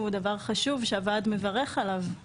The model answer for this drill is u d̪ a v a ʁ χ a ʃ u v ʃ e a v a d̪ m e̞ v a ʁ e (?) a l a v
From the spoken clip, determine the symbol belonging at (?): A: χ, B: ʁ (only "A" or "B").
A